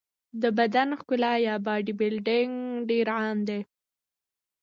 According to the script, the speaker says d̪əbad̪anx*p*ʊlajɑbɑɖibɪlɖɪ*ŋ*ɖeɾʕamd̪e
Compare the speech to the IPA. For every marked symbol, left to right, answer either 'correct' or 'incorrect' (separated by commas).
incorrect, correct